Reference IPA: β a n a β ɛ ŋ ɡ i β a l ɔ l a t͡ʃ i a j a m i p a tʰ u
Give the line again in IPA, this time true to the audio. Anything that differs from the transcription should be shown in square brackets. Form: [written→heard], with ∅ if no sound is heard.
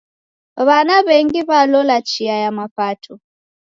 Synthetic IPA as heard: β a n a β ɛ ŋ ɡ i β a l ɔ l a t͡ʃ i a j a m [i→a] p a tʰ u